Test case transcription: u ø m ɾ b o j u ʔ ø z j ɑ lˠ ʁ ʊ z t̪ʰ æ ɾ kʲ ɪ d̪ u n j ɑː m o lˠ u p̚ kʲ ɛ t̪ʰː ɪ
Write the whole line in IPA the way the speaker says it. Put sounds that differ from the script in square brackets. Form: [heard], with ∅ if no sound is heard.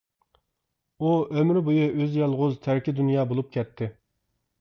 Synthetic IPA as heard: u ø m ɾ b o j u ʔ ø z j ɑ lˠ ʁ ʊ z t̪ʰ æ ɾ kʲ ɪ d̪ u n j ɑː [b] o lˠ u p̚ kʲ ɛ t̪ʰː ɪ